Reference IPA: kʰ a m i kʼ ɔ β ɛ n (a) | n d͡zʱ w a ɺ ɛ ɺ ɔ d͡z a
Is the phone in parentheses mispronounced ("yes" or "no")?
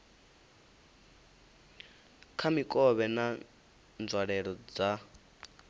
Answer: no